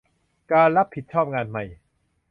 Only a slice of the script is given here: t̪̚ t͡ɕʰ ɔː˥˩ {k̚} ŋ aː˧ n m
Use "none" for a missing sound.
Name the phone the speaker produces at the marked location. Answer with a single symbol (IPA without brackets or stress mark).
p̚